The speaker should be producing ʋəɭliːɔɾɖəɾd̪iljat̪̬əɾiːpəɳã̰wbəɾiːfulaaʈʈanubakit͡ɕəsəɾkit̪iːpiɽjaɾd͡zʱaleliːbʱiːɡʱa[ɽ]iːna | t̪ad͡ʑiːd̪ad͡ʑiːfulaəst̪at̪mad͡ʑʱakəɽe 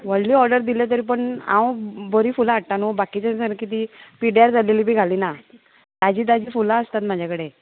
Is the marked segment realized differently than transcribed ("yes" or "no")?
yes